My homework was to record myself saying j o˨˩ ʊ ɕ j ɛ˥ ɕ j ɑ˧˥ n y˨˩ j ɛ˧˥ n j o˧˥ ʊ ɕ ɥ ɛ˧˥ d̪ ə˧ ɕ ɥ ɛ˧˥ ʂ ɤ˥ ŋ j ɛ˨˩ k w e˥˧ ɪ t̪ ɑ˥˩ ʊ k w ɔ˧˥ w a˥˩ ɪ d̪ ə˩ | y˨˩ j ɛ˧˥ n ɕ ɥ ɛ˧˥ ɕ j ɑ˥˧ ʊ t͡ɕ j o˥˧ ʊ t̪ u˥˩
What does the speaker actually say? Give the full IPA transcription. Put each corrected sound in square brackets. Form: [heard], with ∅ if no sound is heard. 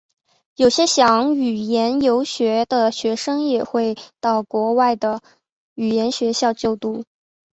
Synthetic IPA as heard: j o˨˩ ʊ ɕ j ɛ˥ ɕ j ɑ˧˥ [ŋ] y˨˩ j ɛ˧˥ n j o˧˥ ʊ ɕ ɥ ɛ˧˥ d̪ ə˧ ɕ ɥ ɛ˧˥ ʂ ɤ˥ ŋ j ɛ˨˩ [x] w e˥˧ ɪ t̪ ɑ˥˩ ʊ k w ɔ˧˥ w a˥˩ ɪ d̪ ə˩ | y˨˩ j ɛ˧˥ n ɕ ɥ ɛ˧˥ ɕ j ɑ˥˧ ʊ t͡ɕ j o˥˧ ʊ t̪ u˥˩